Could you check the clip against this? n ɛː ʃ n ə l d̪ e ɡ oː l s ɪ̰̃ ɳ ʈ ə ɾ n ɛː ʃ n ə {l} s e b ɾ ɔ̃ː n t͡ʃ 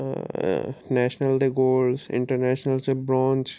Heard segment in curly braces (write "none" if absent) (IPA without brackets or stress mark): l